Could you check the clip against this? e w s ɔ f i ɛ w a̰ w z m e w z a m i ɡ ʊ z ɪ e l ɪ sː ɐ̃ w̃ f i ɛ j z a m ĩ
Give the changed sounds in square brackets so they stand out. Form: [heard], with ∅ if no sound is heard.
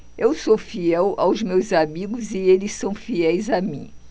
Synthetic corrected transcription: e w s [o] f i ɛ w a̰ w z m e w z a m i ɡ ʊ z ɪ e l ɪ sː ɐ̃ w̃ f i ɛ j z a m ĩ